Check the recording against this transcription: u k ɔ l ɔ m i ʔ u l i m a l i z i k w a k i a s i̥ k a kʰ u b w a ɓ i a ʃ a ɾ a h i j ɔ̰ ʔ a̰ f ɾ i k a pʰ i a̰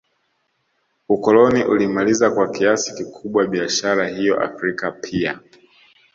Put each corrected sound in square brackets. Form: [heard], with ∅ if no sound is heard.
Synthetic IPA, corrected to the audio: u k ɔ l ɔ [n] i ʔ u l i m a l i z [a] k w a k i a s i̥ k [i] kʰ u [ɓ] w a ɓ i a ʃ a ɾ a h i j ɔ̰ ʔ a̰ f ɾ i k a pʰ i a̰